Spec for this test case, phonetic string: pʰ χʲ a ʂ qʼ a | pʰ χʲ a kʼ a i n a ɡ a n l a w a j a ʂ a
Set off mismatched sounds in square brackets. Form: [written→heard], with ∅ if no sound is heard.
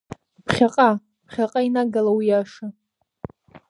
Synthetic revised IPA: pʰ χʲ a [ʂ→∅] qʼ a | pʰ χʲ a [kʼ→qʼ] a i n a ɡ a [n→∅] l a w [a→i] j a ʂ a